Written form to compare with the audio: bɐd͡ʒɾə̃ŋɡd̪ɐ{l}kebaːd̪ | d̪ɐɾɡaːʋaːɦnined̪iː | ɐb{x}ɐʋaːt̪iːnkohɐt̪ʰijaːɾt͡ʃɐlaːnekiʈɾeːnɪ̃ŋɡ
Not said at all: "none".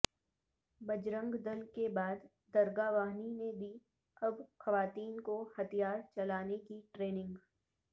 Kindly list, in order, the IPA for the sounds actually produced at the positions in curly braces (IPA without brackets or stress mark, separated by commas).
l, x